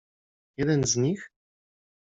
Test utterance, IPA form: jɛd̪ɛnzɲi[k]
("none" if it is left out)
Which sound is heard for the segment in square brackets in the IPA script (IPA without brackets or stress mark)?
x